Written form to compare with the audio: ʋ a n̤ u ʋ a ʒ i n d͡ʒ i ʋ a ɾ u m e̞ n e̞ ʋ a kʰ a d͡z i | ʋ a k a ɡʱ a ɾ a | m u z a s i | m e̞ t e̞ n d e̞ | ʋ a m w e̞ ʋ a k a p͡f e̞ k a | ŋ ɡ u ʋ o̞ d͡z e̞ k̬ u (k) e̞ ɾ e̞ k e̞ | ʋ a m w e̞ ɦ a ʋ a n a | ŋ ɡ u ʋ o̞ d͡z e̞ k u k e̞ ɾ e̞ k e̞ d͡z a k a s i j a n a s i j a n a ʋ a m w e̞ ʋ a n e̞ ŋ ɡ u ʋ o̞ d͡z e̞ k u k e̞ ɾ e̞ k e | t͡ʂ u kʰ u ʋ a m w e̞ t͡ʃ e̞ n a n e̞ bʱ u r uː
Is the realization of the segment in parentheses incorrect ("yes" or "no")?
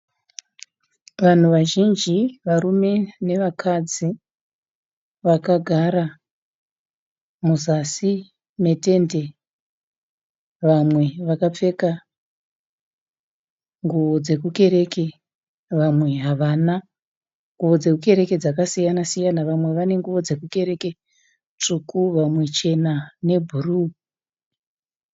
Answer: no